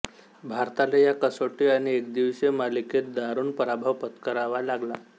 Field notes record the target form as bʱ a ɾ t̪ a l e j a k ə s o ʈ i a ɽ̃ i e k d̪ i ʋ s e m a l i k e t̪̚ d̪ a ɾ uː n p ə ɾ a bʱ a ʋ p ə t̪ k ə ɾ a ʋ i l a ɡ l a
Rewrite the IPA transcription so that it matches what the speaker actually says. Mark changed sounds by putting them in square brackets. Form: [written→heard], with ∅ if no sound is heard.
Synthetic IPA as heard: bʱ a ɾ t̪ a l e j a k ə s o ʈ i a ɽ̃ i e k d̪ i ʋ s e m a l i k e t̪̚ d̪ a ɾ uː n p ə ɾ a bʱ a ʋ p ə t̪ k ə ɾ a ʋ [i→a] l a ɡ l a